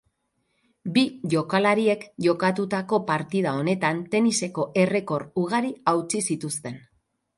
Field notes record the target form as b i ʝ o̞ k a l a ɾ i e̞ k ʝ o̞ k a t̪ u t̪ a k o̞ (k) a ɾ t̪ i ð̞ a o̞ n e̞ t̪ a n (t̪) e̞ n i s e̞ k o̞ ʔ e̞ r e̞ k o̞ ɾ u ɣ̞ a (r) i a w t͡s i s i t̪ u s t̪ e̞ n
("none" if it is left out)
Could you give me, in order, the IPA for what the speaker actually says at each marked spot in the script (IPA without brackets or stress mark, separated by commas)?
p, t̪, ɾ